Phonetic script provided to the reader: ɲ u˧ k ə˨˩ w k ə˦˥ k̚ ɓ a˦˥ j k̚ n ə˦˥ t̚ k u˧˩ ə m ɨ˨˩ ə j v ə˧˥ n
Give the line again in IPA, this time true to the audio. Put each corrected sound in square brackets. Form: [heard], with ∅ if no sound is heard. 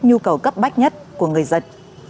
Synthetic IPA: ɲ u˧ k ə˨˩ w k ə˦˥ [p̚] ɓ a˦˥ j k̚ [ɲ] ə˦˥ t̚ k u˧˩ ə [ŋ] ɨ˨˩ ə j [z] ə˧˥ n